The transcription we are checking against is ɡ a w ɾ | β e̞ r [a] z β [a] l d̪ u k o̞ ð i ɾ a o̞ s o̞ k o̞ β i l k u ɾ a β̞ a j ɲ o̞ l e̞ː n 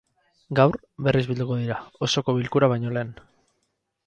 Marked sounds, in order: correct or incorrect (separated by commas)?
incorrect, incorrect